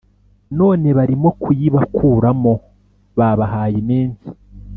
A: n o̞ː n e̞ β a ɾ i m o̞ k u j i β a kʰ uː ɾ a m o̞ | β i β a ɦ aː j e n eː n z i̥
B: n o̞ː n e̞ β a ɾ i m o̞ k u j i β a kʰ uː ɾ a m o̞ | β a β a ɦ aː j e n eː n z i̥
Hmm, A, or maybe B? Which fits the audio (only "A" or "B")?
B